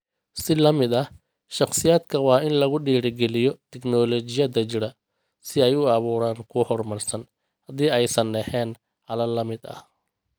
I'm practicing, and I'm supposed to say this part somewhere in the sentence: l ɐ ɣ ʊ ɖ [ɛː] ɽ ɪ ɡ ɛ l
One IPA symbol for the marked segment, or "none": iː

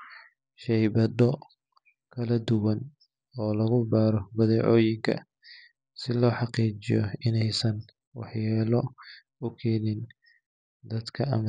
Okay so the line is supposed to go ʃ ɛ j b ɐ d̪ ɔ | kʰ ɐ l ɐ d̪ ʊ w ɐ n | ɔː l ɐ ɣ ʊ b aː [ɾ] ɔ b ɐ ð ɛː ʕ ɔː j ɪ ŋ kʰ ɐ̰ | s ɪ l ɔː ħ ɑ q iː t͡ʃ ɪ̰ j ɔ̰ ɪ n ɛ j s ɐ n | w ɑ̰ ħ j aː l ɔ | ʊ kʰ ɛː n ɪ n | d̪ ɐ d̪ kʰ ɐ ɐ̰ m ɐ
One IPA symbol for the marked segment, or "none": ɾ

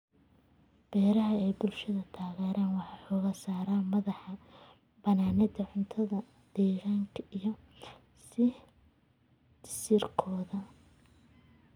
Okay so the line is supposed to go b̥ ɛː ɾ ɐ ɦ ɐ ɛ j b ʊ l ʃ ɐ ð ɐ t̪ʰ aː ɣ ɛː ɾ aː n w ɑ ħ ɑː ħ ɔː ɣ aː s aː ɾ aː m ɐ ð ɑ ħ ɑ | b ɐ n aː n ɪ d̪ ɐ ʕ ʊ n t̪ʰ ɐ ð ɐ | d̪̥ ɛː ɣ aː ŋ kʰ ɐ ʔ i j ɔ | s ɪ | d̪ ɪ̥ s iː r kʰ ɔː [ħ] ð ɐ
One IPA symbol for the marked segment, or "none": none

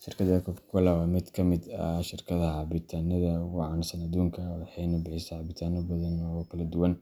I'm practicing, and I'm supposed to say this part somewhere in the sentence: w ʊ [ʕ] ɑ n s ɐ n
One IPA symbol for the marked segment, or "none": ʕ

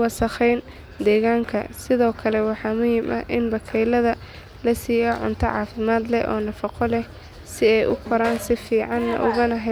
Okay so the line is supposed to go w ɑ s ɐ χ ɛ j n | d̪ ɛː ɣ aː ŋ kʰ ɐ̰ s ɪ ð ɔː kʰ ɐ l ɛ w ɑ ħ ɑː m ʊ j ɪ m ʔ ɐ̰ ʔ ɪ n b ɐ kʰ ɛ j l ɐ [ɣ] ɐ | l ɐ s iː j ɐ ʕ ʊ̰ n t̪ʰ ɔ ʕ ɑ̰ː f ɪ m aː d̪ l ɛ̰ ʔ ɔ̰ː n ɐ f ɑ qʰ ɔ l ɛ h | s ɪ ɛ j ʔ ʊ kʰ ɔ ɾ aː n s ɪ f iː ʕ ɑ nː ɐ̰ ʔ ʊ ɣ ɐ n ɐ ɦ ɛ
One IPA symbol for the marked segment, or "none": ð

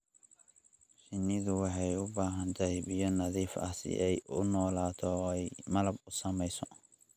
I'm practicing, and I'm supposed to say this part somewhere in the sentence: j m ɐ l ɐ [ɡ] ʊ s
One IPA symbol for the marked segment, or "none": b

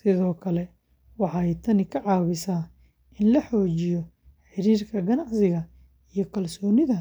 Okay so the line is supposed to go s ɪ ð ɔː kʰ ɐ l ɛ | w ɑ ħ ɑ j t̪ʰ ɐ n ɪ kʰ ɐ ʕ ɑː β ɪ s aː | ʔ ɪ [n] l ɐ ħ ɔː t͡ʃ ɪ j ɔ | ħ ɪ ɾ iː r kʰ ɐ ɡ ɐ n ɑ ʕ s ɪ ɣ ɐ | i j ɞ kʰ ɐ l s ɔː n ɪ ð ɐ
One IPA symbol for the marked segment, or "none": n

